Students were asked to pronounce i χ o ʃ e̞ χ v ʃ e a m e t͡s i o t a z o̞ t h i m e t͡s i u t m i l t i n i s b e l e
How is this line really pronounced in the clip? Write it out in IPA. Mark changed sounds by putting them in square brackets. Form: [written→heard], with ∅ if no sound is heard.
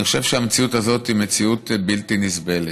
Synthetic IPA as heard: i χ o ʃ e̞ [χ→∅] v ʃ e a m e t͡s i [o→u] t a z o̞ t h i m e t͡s i u t [m→b] i l t i n i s b e l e